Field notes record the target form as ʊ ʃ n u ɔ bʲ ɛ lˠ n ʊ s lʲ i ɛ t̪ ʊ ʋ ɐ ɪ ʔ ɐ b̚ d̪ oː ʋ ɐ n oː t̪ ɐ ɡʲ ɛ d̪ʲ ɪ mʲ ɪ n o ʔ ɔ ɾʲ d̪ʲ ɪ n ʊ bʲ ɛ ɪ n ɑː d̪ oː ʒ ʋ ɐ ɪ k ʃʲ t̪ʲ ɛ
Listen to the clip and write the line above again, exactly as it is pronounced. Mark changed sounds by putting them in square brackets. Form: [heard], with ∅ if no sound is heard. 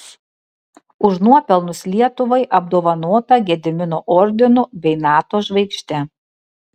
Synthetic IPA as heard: ʊ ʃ n u ɔ [pʲ] ɛ lˠ n ʊ s lʲ i ɛ t̪ ʊ ʋ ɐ ɪ ʔ ɐ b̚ d̪ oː ʋ ɐ n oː t̪ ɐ ɡʲ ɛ d̪ʲ ɪ mʲ ɪ n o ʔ ɔ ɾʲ d̪ʲ ɪ n ʊ bʲ ɛ ɪ n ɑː [t̪] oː ʒ ʋ ɐ ɪ k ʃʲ t̪ʲ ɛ